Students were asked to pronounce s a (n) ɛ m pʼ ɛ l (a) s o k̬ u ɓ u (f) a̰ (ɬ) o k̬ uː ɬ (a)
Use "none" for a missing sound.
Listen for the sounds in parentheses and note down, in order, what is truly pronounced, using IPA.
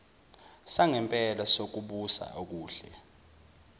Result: ŋ, a, s, none, ɛ

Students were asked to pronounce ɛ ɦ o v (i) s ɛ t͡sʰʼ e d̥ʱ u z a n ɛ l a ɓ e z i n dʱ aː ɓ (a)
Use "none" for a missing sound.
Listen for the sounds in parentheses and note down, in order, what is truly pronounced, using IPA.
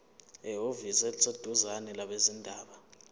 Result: i, a

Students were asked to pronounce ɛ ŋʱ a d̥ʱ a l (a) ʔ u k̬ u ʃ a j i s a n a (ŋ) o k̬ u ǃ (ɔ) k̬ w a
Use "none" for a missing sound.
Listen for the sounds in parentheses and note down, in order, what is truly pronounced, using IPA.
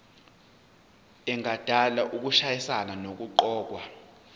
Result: a, n, ɔː

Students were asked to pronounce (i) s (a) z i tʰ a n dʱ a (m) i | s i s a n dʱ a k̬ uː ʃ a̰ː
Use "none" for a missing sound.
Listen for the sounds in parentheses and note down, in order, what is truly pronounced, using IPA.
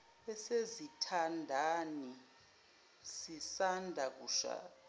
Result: ɛ, e, n

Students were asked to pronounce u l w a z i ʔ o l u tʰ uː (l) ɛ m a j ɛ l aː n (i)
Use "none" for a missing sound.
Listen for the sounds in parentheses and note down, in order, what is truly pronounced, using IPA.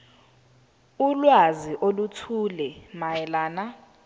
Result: l, a

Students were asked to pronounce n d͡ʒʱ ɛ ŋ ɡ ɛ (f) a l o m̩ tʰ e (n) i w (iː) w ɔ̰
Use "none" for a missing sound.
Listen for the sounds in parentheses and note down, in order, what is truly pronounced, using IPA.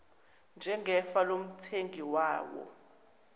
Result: f, ŋ, aː

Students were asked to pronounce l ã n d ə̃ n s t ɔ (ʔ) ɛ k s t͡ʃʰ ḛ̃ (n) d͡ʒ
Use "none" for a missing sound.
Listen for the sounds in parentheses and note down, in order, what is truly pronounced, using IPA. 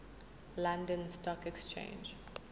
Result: k, n

